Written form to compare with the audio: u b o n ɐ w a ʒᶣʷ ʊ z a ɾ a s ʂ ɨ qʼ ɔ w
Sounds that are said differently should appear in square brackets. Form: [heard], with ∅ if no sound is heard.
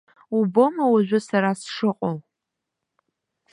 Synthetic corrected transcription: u b o [m] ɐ w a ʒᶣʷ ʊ [s] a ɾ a s ʂ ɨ qʼ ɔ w